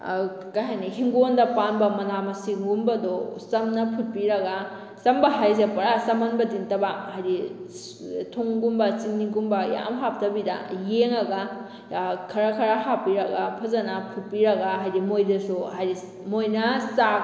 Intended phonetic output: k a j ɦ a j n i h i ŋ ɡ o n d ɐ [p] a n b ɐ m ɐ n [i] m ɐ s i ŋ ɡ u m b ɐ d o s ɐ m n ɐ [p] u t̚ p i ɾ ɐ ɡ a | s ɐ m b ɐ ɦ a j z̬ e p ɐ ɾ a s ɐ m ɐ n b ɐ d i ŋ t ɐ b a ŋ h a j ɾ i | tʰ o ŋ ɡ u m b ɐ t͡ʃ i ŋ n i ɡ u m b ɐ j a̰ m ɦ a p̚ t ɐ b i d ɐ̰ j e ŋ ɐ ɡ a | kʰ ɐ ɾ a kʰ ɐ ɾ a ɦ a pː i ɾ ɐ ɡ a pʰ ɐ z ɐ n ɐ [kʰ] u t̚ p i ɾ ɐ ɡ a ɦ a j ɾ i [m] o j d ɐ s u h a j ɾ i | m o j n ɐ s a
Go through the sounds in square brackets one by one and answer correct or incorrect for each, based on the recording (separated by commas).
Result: correct, incorrect, incorrect, incorrect, correct